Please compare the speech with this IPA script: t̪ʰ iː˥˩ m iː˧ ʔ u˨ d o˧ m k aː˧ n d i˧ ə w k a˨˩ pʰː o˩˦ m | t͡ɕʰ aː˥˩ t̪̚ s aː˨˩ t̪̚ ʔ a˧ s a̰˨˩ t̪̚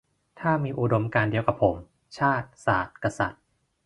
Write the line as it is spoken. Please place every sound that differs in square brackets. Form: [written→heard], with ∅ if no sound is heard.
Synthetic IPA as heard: t̪ʰ [iː˥˩→aː˥˩] m iː˧ ʔ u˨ d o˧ m k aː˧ n d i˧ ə w k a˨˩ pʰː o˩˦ m | t͡ɕʰ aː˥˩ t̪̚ s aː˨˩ t̪̚ [ʔ→k] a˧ s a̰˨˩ t̪̚